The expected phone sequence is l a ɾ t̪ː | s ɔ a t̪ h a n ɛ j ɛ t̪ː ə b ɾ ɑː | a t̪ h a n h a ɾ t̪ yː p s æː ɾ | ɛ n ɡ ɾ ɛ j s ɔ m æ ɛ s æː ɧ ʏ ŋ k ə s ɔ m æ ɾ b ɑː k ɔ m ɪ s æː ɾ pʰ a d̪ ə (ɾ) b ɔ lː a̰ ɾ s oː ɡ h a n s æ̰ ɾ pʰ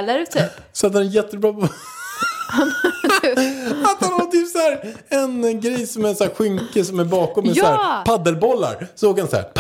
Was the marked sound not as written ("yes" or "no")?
yes